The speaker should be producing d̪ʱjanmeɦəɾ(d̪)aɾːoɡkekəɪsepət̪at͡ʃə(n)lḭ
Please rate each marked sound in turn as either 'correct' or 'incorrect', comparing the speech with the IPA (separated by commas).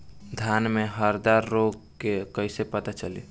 correct, incorrect